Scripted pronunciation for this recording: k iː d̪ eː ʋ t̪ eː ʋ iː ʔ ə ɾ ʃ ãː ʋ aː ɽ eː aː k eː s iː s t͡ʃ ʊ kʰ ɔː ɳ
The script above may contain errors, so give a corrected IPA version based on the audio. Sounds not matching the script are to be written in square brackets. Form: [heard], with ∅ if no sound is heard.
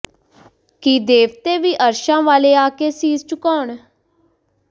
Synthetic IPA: k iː d̪ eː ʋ t̪ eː ʋ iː ʔ ə ɾ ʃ ãː ʋ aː [l] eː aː k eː s iː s t͡ʃ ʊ [k] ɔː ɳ